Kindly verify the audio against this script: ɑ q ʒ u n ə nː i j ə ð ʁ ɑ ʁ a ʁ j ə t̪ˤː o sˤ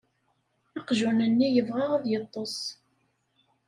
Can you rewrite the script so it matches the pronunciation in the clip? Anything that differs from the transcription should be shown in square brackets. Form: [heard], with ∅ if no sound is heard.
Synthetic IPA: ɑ q ʒ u n ə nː i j ə [v] ʁ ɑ ʁ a [ð] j ə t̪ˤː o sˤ